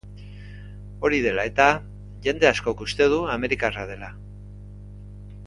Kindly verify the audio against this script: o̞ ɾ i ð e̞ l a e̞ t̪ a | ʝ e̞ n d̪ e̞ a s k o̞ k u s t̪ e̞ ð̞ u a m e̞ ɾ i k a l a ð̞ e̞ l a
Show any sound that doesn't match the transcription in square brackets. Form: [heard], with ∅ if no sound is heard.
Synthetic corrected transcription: o̞ ɾ i ð e̞ l a e̞ t̪ a | ʝ e̞ n d̪ e̞ a s k o̞ k u s t̪ e̞ ð̞ u a m e̞ ɾ i k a [r] a ð̞ e̞ l a